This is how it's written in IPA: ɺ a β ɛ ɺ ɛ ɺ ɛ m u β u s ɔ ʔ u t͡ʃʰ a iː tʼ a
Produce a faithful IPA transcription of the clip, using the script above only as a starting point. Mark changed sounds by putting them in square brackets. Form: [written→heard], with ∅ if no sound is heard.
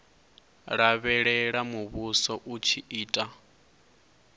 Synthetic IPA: ɺ a β ɛ ɺ ɛ ɺ [ɛ→a] m u β u s ɔ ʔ u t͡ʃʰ [a→i] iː tʼ a